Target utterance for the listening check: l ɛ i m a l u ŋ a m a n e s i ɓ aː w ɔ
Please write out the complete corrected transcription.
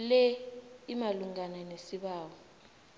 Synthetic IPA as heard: l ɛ i m a l u ŋ a n a n e s i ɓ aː w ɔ